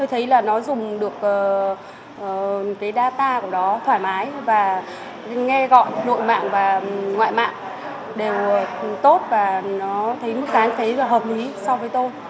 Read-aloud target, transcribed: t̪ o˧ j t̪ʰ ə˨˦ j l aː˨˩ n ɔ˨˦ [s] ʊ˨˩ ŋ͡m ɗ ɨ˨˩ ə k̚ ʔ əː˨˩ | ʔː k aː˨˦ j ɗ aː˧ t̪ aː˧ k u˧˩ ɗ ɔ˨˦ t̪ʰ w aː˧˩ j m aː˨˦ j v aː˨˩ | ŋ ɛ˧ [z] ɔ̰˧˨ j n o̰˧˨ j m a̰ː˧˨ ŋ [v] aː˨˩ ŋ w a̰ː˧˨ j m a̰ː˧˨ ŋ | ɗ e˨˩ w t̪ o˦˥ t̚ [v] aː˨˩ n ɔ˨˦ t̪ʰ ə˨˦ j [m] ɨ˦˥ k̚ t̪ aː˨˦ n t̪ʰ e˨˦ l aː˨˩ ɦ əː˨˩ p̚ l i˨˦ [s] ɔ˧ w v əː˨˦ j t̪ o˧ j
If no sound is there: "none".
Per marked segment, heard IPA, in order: z, ɣ, v, v, m, s

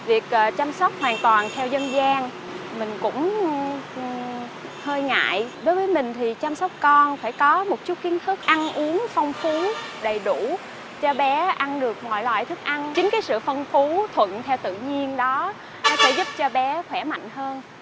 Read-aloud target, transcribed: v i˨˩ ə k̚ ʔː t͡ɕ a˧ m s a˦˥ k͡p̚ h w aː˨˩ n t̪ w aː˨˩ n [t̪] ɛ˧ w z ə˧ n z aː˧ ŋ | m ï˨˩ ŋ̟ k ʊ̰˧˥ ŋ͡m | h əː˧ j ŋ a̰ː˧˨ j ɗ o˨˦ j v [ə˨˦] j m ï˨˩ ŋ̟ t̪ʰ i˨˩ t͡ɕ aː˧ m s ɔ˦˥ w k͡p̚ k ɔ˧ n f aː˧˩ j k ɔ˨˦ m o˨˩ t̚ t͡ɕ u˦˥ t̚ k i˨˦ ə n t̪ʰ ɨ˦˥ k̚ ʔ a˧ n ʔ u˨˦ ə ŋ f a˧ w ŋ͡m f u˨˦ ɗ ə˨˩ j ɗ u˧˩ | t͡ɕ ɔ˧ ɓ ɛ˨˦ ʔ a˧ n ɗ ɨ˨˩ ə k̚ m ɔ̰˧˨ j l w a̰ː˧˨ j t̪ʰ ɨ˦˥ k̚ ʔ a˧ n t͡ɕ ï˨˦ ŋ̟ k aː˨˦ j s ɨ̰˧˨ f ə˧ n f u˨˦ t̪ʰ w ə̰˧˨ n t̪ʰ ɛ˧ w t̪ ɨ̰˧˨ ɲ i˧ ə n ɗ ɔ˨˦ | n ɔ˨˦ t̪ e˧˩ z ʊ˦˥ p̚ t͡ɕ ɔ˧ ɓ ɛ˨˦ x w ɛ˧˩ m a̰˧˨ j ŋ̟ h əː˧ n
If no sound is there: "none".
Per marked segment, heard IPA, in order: t̪ʰ, əː˨˦

